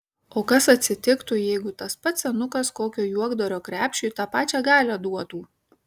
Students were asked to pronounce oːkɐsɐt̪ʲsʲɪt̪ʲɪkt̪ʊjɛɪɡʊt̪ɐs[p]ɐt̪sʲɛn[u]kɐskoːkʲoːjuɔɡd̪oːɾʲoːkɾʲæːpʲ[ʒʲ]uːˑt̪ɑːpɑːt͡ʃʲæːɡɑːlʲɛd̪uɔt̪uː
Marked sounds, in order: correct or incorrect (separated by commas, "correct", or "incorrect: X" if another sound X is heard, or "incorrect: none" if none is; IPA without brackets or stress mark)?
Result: correct, incorrect: ʊ, incorrect: ʃʲ